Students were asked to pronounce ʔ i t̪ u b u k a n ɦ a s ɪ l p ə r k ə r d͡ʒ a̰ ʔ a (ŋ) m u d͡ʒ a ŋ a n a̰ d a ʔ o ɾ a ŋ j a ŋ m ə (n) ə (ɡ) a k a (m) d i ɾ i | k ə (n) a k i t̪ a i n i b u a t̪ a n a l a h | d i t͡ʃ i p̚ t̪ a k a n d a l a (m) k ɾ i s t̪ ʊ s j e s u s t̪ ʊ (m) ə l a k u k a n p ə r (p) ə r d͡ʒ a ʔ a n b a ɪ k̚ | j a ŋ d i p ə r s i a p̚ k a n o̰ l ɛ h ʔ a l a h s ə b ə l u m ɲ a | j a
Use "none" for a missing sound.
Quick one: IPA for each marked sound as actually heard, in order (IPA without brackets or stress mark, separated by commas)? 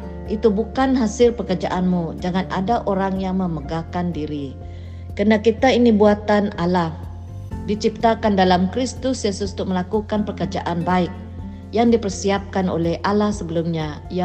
n, m, ɡ, n, n, m, m, k